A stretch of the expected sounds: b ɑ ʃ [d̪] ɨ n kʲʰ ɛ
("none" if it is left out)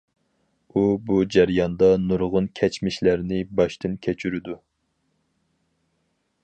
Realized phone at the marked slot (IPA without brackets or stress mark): t̪